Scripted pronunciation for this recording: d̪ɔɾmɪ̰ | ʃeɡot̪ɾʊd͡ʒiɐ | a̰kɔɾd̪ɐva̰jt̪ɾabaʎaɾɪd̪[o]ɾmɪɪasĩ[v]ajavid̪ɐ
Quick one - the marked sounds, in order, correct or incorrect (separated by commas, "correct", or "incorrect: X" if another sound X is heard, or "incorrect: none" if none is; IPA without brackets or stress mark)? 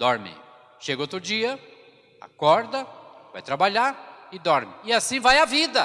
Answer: incorrect: ɔ, correct